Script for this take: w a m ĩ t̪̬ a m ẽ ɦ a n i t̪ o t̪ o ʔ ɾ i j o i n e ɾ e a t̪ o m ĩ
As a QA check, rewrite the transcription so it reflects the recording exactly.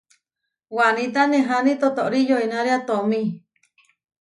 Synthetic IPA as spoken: w a n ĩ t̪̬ a n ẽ ɦ a n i t̪ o t̪ o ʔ ɾ i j o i n a ɾ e a t̪ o m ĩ